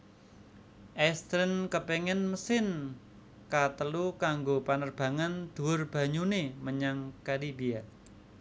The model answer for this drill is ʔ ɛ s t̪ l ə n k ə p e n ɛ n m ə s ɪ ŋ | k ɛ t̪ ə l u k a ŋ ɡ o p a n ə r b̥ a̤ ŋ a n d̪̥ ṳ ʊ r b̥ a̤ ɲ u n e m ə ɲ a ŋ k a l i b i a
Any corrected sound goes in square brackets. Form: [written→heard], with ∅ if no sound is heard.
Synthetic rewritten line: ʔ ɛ s t̪ [l→ɾ] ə n k ə p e [n→ŋ] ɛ n m ə s ɪ [ŋ→n] | k [ɛ→a] t̪ ə l u k a ŋ ɡ o p a n ə r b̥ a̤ ŋ a n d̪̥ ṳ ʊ r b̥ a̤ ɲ u n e m ə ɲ a ŋ k a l i b i a